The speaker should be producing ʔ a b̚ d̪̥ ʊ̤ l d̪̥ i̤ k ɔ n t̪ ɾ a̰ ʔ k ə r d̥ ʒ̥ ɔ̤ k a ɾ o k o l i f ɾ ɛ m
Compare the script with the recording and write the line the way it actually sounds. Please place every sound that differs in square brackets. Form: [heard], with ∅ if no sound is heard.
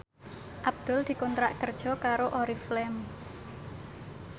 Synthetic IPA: ʔ a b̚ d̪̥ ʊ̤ l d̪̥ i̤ k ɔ n t̪ ɾ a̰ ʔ k ə r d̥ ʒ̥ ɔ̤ k a ɾ o [ʔ] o [ɾ] i f [l] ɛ m